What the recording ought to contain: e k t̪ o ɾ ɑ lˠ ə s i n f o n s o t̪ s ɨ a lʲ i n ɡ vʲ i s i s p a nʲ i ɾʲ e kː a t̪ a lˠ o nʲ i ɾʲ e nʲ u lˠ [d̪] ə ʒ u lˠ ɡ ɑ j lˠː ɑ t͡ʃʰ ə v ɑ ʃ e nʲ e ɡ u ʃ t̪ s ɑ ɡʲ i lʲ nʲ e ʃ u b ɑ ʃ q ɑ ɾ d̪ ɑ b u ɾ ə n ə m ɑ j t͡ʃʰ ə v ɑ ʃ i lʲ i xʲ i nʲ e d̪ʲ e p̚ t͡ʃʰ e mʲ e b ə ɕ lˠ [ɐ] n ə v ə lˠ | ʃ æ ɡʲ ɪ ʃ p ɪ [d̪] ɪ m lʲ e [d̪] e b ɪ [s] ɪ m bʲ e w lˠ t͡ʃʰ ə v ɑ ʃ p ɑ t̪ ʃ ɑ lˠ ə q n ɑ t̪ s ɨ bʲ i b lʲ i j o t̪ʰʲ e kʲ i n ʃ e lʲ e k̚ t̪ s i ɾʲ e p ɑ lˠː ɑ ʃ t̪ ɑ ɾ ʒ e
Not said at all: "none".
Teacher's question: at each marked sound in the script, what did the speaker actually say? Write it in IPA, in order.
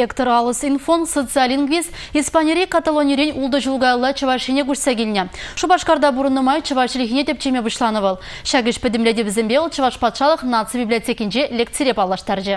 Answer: d̪, ɑ, d̪, d̪, z

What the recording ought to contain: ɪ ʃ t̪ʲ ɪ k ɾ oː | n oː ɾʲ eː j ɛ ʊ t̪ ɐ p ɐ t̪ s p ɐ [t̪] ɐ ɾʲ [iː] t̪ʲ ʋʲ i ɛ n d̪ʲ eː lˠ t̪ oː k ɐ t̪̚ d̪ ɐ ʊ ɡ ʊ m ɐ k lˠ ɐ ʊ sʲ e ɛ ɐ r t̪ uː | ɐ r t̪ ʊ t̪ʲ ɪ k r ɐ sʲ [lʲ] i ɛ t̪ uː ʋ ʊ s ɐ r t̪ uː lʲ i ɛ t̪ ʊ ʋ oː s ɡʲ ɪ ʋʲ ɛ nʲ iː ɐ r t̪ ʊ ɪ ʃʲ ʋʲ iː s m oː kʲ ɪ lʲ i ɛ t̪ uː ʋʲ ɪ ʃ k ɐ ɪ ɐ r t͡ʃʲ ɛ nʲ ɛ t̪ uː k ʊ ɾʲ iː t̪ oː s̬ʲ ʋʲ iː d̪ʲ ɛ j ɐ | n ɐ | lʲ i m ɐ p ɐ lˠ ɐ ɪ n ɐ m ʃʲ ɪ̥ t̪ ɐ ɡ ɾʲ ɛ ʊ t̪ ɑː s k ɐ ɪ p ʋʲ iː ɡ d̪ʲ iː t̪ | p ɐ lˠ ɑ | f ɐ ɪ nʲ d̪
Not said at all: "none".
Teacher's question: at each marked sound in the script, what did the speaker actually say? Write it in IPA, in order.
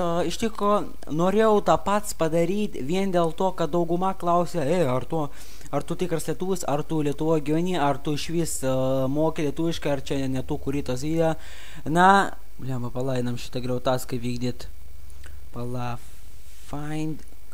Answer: d̪, iː, lʲ

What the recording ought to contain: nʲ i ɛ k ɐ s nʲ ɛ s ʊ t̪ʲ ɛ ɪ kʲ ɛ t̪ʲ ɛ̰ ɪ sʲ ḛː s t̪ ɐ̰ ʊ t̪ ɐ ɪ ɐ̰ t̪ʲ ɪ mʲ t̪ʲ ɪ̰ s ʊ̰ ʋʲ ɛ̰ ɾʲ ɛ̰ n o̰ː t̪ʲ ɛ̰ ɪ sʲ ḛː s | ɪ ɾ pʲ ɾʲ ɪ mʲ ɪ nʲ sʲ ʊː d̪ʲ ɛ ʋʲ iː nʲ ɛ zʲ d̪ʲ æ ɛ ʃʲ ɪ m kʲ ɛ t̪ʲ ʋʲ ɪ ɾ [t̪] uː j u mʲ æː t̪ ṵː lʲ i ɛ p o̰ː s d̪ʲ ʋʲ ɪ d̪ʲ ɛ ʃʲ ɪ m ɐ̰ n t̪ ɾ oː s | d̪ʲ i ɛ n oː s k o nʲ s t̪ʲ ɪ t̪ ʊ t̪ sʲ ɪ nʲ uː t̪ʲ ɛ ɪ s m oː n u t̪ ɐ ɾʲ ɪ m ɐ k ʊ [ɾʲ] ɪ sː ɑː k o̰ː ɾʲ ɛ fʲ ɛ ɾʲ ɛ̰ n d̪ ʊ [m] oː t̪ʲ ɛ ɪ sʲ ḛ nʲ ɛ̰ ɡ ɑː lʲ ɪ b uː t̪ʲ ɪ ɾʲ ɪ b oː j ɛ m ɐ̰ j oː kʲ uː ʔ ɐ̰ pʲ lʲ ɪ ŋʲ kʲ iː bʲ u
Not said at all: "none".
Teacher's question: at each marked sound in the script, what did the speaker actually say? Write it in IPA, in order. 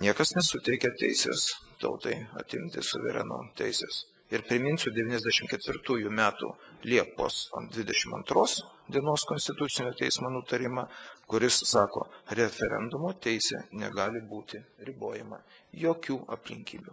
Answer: t̪, ɾʲ, m

